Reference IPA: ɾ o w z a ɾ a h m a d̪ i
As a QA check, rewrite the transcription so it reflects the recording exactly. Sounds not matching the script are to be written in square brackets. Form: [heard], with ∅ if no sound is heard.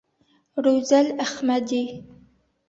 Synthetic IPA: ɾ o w z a [l] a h m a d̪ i